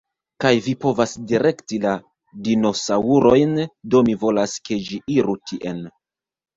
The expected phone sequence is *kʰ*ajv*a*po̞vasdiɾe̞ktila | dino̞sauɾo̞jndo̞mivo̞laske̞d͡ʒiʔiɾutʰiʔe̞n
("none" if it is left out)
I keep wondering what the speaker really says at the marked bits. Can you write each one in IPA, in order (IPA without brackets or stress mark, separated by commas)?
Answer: k, i